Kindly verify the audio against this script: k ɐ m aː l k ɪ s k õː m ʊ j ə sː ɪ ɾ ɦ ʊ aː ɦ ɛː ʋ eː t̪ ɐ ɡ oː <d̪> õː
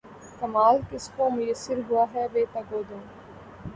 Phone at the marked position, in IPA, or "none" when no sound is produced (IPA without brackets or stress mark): d̪